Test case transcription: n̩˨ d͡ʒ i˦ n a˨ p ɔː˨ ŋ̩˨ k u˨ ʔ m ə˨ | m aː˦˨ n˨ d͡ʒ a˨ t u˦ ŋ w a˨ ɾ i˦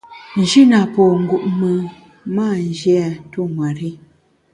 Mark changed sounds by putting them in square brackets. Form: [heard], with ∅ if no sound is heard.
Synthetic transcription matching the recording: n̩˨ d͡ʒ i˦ n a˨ p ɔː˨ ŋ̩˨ [ɡ] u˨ ʔ m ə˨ | m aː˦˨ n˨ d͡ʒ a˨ t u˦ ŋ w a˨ ɾ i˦